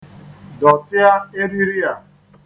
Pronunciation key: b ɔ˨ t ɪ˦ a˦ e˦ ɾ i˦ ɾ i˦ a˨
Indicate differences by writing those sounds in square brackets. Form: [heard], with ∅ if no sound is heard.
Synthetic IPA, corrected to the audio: [d] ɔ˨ t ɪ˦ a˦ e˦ ɾ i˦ ɾ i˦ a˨